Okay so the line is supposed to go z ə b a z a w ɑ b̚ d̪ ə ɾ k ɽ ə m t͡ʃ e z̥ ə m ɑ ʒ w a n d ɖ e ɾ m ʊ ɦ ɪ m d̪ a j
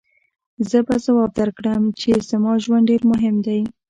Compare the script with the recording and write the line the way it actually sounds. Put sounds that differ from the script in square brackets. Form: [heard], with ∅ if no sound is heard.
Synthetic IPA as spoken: z ə b a z a w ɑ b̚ d̪ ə ɾ k ɽ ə m t͡ʃ e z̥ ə m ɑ ʒ w a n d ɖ e ɾ m ʊ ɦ ɪ m d̪ a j

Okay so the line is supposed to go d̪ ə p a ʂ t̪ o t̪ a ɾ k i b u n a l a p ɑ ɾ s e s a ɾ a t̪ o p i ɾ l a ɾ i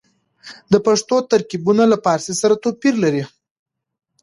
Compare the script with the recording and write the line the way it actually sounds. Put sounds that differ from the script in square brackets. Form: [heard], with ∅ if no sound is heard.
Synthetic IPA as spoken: d̪ ə p a ʂ t̪ o t̪ a ɾ k i b u n a l a p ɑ ɾ s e s a ɾ a t̪ o p i ɾ l a ɾ i

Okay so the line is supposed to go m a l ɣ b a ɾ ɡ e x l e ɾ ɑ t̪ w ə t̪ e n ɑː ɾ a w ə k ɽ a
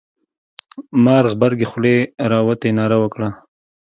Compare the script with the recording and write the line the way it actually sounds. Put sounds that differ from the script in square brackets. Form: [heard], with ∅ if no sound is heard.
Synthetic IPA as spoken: m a [ɾ] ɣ b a ɾ ɡ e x l e ɾ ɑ [∅] w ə t̪ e n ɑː ɾ a w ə k ɽ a

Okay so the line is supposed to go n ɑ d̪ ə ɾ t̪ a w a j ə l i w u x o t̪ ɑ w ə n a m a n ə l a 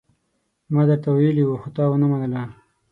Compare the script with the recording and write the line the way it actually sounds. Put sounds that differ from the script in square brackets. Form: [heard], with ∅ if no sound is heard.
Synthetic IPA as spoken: [m] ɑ d̪ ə ɾ t̪ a w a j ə l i w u x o t̪ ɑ w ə n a m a n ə l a

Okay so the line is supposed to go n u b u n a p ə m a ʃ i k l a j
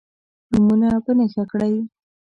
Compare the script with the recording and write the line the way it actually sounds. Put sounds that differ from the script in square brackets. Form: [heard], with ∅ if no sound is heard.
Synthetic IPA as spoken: n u [m] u n a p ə [n] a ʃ [a] k [ɽ] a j

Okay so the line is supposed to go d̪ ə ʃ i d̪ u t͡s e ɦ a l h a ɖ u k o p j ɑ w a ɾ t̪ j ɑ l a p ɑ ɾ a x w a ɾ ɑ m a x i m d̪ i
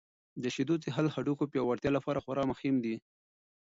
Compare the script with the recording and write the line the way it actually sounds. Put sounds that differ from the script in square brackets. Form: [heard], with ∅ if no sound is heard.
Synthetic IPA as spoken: d̪ ə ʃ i d̪ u t͡s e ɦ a l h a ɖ u k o p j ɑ w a ɾ t̪ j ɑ l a p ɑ ɾ a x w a ɾ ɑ m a x i m d̪ i

